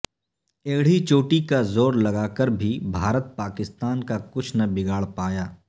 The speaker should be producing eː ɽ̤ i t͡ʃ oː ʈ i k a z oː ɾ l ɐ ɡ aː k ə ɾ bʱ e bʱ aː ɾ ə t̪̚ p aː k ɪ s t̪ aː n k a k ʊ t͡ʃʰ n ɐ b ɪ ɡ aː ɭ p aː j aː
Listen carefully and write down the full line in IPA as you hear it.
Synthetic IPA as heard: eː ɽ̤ i t͡ʃ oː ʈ i k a z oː ɾ l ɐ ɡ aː k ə ɾ bʱ i bʱ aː ɾ ə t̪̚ p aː k ɪ s t̪ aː n k a k ʊ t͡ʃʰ n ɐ b ɪ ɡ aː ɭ p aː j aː